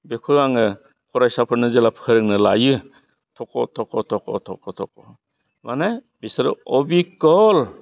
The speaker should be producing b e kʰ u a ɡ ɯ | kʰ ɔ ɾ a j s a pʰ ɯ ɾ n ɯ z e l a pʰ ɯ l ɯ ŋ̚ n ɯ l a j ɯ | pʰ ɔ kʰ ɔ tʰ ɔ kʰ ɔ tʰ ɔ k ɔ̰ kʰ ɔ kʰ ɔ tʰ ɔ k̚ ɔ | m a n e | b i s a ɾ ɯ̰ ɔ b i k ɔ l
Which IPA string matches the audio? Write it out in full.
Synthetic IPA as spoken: b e kʰ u a ŋ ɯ | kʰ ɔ ɾ a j s a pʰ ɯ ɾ n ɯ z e l a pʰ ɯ ɾ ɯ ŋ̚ n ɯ l a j ɯ | tʰ ɔ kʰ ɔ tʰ ɔ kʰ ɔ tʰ ɔ k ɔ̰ tʰ ɔ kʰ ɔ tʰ ɔ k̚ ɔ | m a n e | b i s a ɾ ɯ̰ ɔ b i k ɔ l